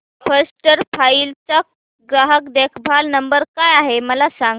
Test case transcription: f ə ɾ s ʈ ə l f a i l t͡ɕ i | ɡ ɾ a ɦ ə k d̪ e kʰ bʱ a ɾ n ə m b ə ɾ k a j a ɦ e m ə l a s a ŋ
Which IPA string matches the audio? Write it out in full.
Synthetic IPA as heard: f ə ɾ s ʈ ə ɾ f a i l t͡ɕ a | ɡ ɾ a ɦ ə k d̪ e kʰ bʱ a l n ə m b ə ɾ k a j a ɦ e m ə l a s a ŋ